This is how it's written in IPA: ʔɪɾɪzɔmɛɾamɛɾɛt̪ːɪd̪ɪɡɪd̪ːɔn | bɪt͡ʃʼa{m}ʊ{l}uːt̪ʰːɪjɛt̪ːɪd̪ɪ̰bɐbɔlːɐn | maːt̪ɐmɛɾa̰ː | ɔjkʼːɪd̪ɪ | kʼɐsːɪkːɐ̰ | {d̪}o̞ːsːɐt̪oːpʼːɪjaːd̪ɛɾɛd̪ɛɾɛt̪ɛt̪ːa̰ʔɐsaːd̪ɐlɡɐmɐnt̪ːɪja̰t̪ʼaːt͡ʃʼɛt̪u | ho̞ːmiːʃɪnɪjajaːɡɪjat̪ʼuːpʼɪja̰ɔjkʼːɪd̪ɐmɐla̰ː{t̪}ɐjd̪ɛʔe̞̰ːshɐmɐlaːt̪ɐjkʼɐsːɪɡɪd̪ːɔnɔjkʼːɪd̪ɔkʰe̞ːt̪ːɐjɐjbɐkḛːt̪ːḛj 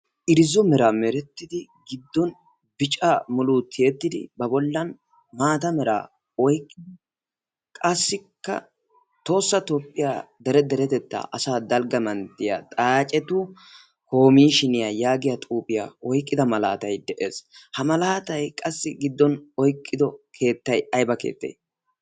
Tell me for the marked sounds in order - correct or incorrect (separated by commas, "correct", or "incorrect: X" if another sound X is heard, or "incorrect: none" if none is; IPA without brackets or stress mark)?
correct, correct, incorrect: t̪, correct